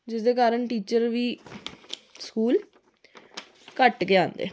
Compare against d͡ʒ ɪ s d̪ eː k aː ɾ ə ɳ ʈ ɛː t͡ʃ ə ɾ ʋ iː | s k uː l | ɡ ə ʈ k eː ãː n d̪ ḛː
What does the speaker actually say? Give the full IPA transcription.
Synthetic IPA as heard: d͡ʒ ɪ s d̪ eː k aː ɾ ə ɳ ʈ iː t͡ʃ ə ɾ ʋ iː | s k uː l | k ə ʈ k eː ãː n d̪ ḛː